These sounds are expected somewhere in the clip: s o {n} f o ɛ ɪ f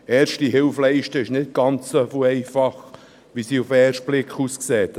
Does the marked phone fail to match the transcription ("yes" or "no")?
yes